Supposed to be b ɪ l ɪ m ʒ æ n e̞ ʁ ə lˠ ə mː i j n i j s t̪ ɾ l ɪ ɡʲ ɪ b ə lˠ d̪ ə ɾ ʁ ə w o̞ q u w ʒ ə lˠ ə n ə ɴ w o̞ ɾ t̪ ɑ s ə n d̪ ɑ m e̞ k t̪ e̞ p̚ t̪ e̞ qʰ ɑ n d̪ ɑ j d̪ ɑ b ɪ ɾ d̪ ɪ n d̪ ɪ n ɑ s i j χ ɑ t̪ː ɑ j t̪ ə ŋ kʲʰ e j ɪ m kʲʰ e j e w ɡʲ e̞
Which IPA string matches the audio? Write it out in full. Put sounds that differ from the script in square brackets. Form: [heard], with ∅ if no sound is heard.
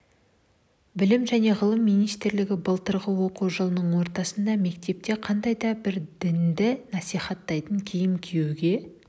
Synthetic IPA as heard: b ɪ l ɪ m ʒ æ n e̞ ʁ ə lˠ ə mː i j n i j s t̪ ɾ l ɪ ɡʲ ɪ b ə lˠ [t̪] ə ɾ ʁ ə w o̞ q u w ʒ ə lˠ ə n ə ɴ w o̞ ɾ t̪ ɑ s ə n d̪ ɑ m e̞ k t̪ e̞ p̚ t̪ e̞ qʰ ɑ n d̪ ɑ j d̪ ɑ b ɪ ɾ d̪ ɪ n d̪ ɪ n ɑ s i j χ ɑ t̪ː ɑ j t̪ ə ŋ kʲʰ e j ɪ m kʲʰ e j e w ɡʲ e̞